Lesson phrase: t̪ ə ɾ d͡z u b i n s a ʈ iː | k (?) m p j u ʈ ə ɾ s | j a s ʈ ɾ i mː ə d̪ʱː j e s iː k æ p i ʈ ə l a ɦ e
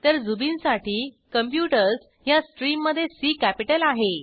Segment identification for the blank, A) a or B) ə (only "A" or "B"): B